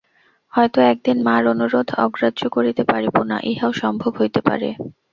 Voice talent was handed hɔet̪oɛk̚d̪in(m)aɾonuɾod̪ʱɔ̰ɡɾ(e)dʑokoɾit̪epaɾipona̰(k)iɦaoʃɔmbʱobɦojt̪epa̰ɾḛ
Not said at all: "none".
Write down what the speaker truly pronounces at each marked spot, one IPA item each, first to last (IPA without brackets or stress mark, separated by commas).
m, a, ʔ